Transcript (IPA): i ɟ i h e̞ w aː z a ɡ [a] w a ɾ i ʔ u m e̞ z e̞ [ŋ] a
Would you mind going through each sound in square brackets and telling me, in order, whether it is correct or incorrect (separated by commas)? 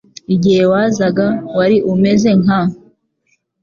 correct, correct